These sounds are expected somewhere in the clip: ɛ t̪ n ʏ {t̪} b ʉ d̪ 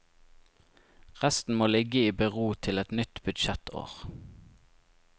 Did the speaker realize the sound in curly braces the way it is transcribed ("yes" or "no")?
yes